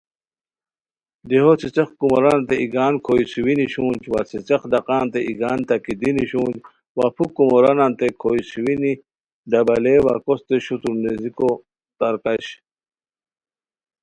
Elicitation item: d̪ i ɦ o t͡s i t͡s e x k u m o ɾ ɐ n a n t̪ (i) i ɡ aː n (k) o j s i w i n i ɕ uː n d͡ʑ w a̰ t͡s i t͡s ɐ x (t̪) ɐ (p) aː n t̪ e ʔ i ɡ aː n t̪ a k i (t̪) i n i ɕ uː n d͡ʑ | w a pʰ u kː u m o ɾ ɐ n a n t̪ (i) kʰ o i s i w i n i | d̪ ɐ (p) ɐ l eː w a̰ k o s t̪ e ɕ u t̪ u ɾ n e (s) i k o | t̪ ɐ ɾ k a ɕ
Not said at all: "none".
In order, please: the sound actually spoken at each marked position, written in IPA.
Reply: e, kʰ, d̪, q, d̪, e, b, z

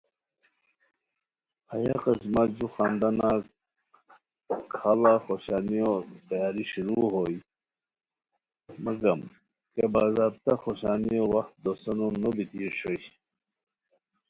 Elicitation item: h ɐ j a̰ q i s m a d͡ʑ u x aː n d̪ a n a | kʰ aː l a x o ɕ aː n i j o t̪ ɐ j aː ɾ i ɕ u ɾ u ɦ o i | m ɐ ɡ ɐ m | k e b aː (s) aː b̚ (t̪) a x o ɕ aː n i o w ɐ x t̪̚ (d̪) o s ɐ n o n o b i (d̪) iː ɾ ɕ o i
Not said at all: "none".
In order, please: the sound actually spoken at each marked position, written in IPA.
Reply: z, t̪, d̪, t̪

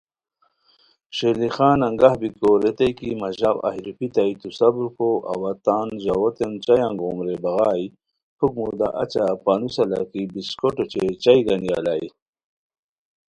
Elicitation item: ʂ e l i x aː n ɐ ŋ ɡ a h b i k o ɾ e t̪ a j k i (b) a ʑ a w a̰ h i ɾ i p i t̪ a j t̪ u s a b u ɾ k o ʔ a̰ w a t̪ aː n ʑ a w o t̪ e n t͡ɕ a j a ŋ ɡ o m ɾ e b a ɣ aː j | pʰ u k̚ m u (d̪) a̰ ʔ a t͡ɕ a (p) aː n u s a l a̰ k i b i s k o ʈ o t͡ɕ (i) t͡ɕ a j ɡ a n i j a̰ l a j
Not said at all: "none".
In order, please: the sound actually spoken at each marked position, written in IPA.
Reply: m, d̪, p, e

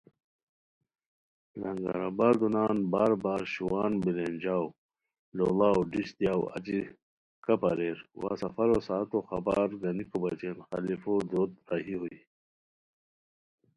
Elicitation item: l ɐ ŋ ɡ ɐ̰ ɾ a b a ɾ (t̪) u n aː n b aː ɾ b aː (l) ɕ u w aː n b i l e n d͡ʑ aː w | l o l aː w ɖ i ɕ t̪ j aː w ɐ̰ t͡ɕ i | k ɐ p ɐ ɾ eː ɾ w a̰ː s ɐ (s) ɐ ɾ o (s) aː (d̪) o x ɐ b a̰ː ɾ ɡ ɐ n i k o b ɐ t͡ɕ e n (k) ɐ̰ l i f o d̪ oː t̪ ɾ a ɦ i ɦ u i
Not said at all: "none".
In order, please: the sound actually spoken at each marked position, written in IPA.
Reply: d̪, ɾ, f, s, t̪, x

